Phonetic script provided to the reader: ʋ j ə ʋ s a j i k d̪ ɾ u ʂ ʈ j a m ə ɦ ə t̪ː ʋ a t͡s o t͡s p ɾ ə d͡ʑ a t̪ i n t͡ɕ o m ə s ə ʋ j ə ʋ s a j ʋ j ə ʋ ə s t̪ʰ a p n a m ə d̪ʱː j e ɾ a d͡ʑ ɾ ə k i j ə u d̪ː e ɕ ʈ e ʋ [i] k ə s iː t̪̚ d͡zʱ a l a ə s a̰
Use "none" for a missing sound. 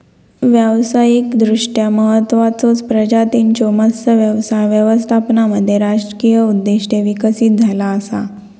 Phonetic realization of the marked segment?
i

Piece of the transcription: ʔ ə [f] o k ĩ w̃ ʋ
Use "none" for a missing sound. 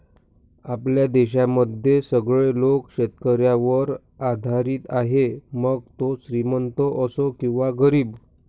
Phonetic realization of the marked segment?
s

